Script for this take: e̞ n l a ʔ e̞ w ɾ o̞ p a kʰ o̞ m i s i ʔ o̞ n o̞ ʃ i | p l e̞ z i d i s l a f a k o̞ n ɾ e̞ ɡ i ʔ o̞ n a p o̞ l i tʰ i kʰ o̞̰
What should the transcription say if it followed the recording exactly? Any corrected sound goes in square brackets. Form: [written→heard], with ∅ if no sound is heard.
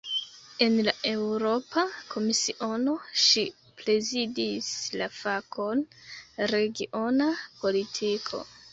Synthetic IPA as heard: e̞ n l a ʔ e̞ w ɾ o̞ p a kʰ o̞ m i s i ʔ o̞ n o̞ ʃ i | p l e̞ z i d i s l a f a k o̞ n ɾ e̞ ɡ i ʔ o̞ n a p o̞ l i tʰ i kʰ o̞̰